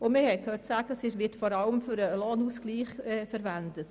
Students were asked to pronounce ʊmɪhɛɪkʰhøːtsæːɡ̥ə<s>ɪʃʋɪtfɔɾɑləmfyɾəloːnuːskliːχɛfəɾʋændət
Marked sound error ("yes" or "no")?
no